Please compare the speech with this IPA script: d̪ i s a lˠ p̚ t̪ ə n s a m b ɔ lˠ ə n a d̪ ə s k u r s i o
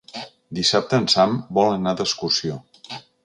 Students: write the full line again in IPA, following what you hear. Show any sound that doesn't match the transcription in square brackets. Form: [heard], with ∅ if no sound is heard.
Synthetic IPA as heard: d̪ i s a [∅] p̚ t̪ ə n s a m b ɔ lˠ ə n a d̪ ə s k u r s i o